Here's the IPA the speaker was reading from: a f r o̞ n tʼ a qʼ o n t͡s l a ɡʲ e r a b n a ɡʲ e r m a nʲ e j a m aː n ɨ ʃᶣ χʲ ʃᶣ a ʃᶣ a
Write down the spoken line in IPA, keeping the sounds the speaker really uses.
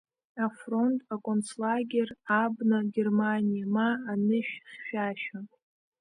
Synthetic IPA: a f r o̞ n tʼ a kʼ o n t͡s l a ɡʲ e r a b n a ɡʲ e r m a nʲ i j a m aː n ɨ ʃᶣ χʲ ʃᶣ a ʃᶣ a